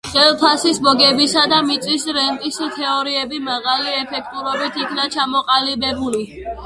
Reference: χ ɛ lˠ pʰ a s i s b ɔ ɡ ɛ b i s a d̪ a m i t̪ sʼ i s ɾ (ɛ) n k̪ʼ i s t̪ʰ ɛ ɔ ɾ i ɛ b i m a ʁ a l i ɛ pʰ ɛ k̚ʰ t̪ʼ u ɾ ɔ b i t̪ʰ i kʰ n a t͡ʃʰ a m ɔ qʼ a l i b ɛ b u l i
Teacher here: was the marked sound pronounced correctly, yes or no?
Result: yes